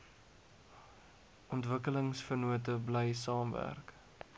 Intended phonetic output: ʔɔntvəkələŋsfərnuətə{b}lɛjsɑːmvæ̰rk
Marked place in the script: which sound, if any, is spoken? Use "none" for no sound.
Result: b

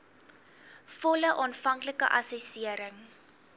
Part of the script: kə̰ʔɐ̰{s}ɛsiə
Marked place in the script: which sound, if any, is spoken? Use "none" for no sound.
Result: s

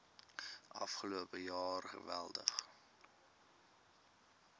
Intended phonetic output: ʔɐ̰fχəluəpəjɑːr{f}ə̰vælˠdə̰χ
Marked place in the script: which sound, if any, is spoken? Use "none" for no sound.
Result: χ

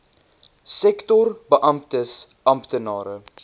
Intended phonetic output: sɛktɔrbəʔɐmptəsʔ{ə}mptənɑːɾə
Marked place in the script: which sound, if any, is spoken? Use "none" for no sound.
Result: ɐ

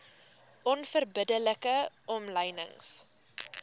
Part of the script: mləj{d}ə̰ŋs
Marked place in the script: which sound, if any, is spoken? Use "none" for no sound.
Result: n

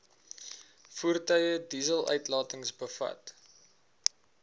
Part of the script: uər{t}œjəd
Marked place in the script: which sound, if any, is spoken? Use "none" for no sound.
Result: t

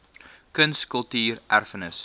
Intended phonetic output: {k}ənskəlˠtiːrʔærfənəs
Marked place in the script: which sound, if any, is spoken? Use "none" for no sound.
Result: k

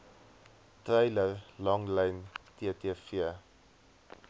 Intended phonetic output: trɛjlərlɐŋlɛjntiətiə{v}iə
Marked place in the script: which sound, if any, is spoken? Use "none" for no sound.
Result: f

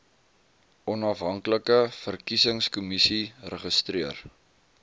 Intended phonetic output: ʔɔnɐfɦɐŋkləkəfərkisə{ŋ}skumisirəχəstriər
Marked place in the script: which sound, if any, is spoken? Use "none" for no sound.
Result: ŋ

